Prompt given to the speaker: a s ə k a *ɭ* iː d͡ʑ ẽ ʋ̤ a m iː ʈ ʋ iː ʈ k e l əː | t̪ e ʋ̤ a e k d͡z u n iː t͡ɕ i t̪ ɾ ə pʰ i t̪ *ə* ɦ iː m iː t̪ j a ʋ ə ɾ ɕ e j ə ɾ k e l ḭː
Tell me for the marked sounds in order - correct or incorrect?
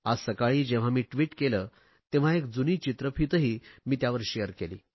correct, correct

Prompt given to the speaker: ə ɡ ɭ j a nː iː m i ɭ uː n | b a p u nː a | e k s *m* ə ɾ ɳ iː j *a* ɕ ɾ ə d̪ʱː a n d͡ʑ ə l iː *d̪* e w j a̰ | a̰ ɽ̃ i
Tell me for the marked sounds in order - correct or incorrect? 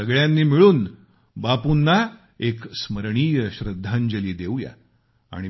correct, incorrect: ə, correct

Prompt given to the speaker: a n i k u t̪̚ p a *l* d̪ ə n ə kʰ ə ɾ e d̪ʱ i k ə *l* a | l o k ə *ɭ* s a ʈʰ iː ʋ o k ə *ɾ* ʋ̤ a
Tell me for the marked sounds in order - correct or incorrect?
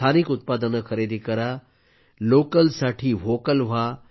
incorrect: none, incorrect: ɾ, incorrect: l, incorrect: l

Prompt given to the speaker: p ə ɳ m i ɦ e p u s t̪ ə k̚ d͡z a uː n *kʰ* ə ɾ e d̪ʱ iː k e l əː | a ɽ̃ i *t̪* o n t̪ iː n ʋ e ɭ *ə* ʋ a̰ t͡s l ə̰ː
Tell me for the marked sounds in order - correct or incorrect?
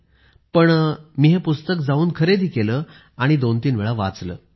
correct, incorrect: d̪, incorrect: a

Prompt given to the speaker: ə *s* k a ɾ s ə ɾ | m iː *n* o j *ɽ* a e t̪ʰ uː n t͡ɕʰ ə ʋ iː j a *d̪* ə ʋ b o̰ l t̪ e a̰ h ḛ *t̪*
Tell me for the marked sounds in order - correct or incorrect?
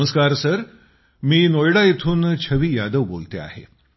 correct, correct, correct, correct, incorrect: none

